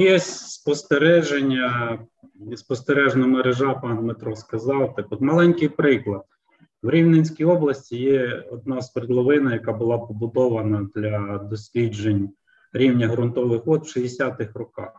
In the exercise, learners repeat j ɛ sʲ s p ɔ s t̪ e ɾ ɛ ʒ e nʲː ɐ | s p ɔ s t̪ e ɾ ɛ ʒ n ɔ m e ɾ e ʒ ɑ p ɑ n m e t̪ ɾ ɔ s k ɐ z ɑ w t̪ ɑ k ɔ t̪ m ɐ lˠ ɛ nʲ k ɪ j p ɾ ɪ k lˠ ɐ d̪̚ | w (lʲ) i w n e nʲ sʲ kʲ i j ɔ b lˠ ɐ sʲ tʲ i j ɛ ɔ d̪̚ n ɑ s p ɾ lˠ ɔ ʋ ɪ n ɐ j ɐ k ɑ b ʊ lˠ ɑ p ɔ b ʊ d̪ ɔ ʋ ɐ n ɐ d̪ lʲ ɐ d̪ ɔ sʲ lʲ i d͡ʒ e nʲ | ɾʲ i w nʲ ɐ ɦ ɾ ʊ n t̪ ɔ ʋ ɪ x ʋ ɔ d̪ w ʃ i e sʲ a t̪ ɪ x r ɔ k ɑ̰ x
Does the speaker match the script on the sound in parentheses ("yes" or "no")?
no